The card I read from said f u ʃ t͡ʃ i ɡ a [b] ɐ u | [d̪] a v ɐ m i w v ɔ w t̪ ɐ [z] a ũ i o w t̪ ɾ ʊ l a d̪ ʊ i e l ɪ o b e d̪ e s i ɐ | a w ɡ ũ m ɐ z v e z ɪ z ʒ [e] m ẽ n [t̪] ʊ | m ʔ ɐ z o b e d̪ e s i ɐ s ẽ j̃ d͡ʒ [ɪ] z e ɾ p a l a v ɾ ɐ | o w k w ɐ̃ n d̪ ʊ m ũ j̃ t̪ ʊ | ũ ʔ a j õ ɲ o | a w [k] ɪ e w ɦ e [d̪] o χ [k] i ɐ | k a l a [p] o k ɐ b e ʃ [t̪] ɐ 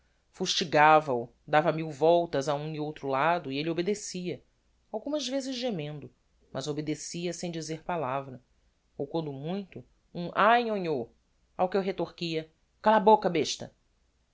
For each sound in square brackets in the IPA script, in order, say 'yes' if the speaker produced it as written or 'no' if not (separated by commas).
no, yes, yes, yes, no, no, yes, no, yes, no, yes